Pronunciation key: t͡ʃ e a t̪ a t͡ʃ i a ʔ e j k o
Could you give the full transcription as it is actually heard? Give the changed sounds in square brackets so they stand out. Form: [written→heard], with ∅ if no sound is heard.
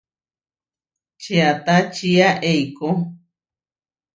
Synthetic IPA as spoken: t͡ʃ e a t̪ a t͡ʃ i a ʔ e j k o